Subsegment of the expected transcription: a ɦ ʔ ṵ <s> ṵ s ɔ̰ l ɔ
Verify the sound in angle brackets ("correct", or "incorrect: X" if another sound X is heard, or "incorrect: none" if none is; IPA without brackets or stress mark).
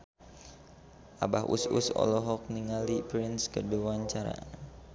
correct